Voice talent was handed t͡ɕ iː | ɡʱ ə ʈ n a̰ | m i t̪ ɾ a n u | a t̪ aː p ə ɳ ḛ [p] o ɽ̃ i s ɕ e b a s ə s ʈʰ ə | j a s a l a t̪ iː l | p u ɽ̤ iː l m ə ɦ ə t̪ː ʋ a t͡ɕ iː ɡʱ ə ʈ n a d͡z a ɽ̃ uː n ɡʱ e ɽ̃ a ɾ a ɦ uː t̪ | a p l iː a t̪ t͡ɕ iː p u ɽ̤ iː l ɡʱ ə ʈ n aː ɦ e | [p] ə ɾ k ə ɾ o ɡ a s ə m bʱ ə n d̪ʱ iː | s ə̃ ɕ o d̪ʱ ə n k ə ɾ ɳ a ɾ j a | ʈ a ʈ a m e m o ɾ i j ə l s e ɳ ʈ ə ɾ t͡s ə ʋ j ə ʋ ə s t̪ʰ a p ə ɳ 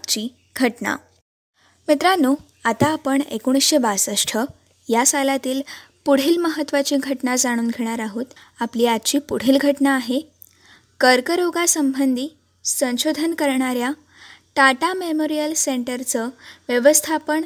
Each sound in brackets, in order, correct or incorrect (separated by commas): incorrect, incorrect